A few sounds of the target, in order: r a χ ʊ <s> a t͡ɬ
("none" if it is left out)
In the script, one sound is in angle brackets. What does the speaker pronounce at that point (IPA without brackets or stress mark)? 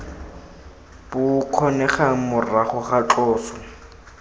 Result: χ